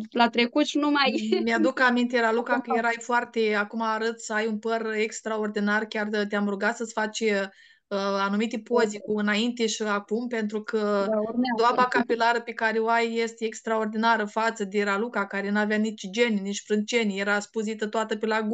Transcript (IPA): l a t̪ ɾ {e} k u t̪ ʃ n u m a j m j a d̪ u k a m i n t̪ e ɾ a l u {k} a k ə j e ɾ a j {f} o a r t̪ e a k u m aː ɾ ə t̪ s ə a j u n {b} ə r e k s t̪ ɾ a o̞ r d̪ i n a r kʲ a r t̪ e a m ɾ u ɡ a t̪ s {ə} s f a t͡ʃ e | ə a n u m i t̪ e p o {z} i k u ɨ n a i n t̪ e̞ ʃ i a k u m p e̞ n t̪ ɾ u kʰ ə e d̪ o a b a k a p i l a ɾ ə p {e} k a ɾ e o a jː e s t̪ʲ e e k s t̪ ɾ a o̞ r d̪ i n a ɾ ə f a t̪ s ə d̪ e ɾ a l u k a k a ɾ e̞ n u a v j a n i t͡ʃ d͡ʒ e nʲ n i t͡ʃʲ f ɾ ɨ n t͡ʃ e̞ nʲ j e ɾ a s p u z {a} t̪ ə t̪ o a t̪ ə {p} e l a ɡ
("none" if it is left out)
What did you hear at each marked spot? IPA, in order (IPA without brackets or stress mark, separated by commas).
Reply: e, k, f, p, ə, z, e, i, p